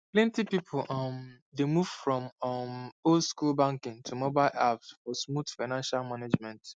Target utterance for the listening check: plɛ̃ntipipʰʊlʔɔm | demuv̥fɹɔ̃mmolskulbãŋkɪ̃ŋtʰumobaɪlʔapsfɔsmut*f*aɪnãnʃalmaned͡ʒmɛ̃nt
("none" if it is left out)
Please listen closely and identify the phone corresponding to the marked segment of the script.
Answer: f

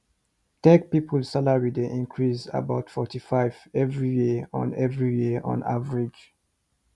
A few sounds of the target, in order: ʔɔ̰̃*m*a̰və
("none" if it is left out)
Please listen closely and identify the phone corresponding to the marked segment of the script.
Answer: n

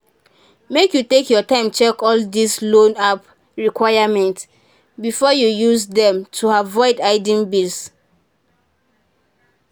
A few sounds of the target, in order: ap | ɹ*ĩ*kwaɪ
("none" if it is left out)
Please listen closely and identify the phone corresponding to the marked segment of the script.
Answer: i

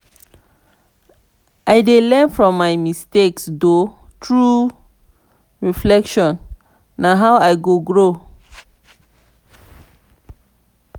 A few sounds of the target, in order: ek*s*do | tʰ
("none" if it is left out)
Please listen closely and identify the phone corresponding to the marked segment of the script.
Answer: s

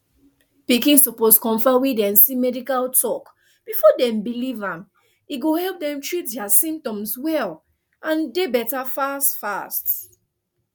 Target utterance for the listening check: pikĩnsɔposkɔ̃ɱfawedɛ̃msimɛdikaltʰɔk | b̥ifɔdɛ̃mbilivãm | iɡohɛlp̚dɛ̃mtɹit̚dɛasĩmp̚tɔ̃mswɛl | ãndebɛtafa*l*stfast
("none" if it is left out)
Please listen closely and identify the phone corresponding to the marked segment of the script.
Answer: none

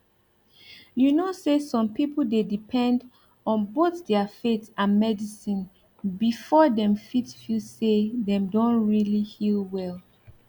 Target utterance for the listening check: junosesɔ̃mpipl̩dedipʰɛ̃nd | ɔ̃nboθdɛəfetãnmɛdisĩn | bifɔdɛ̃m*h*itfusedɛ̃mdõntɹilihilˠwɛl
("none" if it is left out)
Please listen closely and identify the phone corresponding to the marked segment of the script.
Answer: f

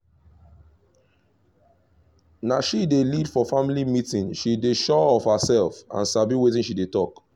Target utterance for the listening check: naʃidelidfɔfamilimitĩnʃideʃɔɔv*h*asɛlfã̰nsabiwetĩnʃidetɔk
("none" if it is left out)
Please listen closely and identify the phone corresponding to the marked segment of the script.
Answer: h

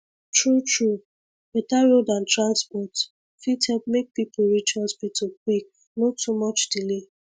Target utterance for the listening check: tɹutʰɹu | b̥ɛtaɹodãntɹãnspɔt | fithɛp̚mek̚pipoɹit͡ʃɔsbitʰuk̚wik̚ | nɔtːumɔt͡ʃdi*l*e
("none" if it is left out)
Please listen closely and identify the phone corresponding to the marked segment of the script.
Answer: l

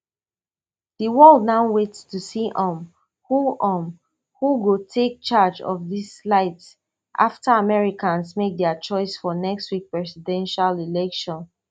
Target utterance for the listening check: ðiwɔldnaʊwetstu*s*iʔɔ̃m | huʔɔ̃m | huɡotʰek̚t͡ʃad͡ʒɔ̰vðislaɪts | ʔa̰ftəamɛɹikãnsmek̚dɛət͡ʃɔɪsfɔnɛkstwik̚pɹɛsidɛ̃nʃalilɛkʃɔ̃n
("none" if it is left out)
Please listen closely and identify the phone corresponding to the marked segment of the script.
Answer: s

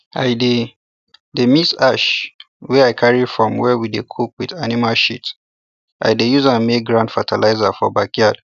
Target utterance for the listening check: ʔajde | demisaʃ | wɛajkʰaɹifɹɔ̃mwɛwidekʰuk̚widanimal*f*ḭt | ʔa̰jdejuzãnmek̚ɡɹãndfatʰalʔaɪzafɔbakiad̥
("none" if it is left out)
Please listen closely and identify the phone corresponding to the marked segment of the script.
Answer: ʃ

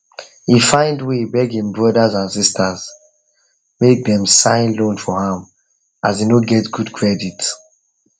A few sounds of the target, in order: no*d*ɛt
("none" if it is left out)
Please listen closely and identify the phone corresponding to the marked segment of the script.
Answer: ɡ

